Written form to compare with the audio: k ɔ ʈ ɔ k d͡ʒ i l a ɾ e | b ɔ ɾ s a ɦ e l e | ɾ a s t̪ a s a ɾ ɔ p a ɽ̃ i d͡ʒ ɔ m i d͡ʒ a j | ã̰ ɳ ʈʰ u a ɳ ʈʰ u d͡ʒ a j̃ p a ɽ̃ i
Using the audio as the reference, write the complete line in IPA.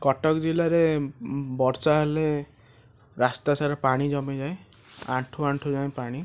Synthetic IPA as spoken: k ɔ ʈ ɔ k d͡ʒ i l a ɾ e | b ɔ ɾ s a ɦ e l e | ɾ a s t̪ a s a ɾ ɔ p a ɽ̃ i d͡ʒ ɔ m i d͡ʒ a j | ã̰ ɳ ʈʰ u a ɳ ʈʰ u d͡ʒ a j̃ p a ɽ̃ i